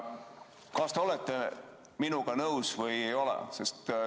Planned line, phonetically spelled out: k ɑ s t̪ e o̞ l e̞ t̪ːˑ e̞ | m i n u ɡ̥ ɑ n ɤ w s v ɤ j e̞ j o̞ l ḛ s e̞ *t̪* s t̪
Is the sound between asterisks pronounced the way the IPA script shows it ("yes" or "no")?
no